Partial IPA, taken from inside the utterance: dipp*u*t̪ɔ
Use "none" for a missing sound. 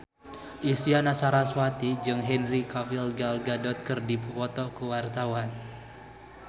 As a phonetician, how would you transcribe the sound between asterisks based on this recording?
ɔ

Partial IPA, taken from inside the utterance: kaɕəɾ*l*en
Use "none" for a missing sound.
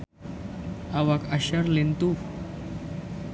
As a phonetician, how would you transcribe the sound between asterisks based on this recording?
l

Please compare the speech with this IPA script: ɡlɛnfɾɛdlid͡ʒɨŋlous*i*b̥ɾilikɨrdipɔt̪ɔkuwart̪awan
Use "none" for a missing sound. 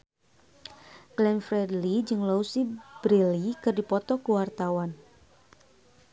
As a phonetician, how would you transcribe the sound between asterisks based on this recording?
i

